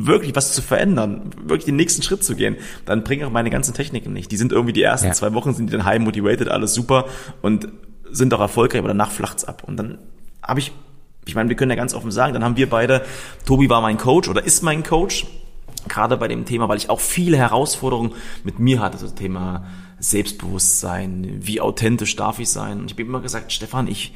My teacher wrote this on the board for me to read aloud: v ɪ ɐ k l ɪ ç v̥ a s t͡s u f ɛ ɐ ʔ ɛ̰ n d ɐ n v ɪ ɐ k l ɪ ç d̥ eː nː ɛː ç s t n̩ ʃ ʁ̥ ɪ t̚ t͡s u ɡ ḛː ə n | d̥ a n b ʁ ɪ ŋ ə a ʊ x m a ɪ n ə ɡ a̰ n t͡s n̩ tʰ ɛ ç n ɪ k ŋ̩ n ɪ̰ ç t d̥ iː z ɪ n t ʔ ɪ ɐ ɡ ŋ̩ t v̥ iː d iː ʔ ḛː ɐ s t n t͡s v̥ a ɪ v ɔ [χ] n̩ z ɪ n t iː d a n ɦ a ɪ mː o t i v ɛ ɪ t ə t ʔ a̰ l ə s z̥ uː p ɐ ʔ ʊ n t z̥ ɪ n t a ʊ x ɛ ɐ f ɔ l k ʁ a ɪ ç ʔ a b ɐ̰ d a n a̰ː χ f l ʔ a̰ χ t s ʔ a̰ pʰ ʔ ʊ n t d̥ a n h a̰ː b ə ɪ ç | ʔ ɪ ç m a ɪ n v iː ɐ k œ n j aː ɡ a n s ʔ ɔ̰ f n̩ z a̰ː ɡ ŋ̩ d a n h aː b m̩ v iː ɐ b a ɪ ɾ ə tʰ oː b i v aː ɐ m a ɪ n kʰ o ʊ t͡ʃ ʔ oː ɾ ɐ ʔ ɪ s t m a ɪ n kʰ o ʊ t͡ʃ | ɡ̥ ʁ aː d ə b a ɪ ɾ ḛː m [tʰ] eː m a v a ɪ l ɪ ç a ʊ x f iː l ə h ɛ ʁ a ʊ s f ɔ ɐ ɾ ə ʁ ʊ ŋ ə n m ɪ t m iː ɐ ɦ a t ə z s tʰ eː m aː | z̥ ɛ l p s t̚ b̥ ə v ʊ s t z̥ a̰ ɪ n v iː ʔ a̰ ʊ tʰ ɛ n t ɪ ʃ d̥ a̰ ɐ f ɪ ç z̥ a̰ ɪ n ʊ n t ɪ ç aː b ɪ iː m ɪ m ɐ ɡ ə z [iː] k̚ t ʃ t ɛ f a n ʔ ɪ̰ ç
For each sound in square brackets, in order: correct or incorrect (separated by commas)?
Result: correct, correct, incorrect